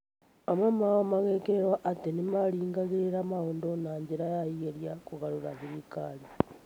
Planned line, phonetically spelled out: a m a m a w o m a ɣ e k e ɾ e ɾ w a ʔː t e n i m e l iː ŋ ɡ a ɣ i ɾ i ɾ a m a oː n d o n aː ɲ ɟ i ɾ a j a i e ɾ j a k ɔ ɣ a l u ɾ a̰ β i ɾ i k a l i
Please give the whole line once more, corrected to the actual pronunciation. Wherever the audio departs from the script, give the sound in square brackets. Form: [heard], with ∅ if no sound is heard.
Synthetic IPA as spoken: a m a m a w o m a ɣ e k e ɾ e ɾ w a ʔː t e n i m [a] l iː ŋ ɡ a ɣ i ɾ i ɾ a m a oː n d o n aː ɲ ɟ i ɾ a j a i e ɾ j a k [u] ɣ a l u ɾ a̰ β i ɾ i k a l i

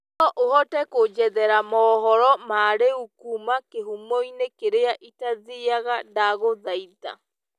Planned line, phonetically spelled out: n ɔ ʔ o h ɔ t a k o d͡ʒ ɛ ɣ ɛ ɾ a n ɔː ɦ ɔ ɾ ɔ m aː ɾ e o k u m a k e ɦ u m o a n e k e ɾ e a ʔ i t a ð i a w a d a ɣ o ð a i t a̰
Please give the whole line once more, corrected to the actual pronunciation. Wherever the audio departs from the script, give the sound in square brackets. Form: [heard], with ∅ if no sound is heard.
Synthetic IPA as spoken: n ɔ ʔ o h ɔ t [ɛ] k o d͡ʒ ɛ [ð] ɛ ɾ a [m] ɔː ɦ ɔ ɾ ɔ m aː ɾ e [u] k u m a k e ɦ u m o [i] n e k e ɾ e a ʔ i t a ð i a [ɣ] a d a ɣ o ð a i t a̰

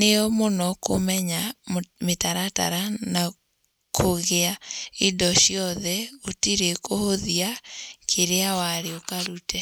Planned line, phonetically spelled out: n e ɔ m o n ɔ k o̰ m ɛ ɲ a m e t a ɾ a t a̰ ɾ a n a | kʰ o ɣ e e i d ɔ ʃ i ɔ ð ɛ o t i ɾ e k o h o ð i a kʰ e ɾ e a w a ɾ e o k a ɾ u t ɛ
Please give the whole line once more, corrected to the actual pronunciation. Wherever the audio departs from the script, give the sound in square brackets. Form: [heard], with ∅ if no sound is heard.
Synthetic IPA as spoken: n e ɔ m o n ɔ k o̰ m ɛ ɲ a m e t a ɾ a t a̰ ɾ a n a | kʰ o ɣ e [a] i d ɔ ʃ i ɔ ð ɛ o t i ɾ e k o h o ð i a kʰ e ɾ e a w a ɾ e o k a ɾ u t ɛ

